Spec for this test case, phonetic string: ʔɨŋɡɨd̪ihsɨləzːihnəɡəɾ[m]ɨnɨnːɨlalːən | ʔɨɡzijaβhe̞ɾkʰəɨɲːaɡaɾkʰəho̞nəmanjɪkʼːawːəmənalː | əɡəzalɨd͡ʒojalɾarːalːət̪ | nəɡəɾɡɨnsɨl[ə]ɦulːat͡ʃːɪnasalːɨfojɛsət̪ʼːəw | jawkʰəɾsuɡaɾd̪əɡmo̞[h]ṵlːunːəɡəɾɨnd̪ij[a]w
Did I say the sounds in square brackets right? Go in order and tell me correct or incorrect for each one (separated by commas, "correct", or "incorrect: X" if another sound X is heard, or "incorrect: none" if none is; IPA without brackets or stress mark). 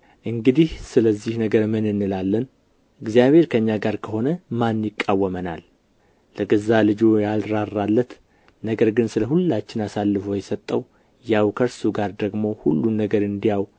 correct, correct, correct, correct